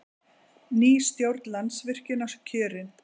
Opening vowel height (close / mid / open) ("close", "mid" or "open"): close